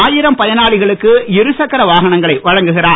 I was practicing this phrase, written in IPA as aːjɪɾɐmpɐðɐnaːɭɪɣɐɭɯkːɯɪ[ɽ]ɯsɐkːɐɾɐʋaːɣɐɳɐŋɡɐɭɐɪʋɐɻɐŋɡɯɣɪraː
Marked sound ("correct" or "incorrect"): incorrect